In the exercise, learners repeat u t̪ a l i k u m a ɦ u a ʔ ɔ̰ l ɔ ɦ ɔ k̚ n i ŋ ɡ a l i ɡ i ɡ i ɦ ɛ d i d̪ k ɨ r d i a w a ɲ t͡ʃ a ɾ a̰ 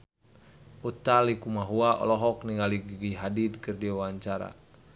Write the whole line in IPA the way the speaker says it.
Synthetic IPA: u t̪ a l i k u m a ɦ u a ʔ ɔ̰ l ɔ ɦ ɔ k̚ n i ŋ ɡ a l i ɡ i ɡ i ɦ a d i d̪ k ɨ r d i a w a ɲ t͡ʃ a ɾ a̰